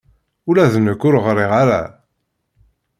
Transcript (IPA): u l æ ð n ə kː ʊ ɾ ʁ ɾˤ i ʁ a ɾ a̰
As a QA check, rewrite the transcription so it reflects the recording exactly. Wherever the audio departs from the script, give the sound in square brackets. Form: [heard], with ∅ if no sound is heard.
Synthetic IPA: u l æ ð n ə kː ʊ ɾ ʁ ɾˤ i ʁ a ɾ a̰